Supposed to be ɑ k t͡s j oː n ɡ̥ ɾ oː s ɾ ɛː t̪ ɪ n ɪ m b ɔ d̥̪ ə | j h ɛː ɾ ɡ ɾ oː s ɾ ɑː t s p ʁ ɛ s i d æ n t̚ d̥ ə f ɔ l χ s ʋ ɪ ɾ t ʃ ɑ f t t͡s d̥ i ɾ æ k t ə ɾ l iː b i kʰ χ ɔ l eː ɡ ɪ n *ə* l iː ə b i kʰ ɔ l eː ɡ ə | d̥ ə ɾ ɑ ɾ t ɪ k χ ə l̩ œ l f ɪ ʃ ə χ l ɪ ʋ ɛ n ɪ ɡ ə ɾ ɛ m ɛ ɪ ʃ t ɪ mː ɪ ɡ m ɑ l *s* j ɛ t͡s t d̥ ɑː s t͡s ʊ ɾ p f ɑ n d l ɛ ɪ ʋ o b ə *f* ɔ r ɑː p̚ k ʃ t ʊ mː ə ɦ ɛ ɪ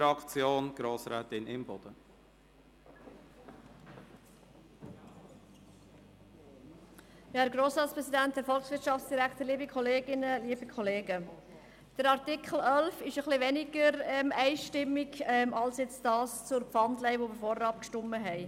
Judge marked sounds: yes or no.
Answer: yes, yes, yes

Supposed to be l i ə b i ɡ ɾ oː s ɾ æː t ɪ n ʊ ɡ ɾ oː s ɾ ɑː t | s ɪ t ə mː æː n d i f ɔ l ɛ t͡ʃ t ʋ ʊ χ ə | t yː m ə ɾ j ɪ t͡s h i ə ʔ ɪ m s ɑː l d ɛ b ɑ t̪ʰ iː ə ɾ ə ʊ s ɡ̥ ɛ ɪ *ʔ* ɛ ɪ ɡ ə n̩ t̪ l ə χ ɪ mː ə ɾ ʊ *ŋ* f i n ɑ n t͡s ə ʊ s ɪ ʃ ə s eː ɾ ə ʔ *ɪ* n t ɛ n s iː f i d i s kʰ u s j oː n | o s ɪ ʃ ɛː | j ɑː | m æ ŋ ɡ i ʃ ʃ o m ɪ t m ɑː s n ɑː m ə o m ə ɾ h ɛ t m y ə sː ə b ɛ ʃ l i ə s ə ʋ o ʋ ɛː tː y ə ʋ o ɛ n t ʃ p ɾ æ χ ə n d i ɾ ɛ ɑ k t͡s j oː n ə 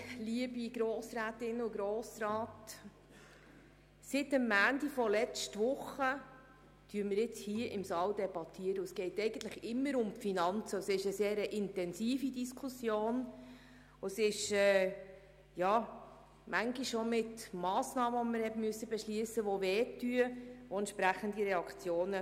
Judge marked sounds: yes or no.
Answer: no, no, yes

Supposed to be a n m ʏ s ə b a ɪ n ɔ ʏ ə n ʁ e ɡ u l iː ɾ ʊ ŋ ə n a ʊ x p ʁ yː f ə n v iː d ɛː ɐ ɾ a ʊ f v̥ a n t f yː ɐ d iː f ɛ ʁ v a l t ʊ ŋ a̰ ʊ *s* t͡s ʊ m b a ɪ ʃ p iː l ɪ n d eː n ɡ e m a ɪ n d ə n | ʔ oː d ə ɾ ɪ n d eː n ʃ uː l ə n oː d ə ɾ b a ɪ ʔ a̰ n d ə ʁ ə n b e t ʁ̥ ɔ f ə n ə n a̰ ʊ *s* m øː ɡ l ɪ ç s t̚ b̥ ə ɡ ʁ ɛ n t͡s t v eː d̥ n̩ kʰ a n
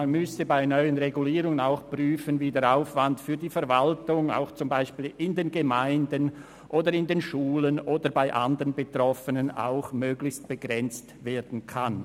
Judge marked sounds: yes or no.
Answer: no, no

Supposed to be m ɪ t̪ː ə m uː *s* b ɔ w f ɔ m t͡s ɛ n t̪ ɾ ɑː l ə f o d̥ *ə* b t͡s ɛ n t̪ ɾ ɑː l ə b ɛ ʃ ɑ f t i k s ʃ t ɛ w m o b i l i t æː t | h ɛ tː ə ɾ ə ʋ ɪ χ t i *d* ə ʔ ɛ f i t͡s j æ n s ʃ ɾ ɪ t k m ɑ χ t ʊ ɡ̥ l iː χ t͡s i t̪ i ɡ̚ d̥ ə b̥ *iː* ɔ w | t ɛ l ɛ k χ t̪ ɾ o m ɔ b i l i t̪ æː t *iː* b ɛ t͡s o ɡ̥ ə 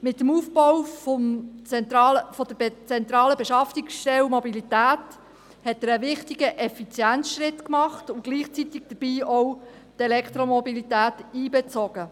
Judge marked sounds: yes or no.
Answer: no, yes, no, yes, yes

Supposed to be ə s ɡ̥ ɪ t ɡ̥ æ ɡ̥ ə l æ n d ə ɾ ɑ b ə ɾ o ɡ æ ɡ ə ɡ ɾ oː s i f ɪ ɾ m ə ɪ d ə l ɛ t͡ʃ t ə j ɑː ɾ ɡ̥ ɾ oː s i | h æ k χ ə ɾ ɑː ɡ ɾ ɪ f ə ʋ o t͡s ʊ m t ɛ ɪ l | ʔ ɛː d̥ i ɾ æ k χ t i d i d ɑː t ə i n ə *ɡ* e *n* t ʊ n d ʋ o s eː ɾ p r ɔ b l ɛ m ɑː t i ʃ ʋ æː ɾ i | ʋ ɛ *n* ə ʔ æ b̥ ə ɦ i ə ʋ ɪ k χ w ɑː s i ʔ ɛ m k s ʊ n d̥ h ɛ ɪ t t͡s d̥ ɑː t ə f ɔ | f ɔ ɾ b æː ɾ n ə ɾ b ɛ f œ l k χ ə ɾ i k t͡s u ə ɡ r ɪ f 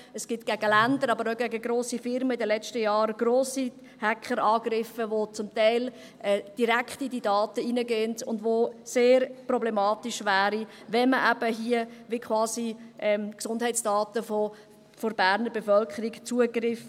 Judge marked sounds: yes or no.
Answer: yes, yes, no

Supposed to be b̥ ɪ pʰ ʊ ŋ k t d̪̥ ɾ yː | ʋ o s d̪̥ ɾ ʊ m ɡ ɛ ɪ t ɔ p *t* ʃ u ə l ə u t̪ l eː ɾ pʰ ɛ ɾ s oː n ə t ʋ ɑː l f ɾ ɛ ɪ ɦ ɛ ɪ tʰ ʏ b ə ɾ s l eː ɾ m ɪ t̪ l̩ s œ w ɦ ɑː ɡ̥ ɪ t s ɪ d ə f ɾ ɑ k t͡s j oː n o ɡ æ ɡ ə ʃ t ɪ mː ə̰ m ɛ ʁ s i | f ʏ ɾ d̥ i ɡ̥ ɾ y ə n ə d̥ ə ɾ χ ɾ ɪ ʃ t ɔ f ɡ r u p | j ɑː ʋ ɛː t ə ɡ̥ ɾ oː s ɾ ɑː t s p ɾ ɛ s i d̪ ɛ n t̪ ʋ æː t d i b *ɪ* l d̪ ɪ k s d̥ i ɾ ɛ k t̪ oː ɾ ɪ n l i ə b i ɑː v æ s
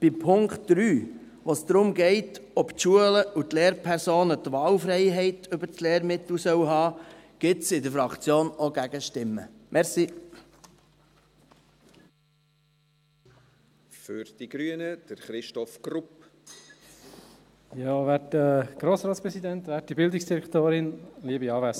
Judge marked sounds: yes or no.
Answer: yes, yes

